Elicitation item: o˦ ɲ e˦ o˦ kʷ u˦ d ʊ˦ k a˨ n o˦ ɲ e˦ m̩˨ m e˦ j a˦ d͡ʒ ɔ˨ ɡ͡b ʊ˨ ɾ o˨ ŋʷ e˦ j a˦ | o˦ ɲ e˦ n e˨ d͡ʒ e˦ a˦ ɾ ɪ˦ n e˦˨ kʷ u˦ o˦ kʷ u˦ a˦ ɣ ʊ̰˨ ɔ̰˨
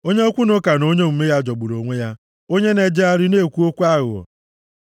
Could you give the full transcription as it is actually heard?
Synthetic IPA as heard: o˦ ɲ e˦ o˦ kʷ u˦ n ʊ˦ k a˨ n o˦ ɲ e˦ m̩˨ m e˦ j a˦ d͡ʒ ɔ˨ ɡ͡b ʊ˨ ɾ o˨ ŋʷ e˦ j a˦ | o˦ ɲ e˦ n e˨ d͡ʒ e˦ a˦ ɾ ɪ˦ n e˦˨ kʷ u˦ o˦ kʷ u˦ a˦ ɣ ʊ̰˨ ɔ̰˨